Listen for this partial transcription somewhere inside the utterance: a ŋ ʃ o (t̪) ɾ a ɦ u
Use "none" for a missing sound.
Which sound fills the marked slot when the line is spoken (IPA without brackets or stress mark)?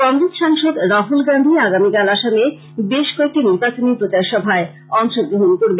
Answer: d̪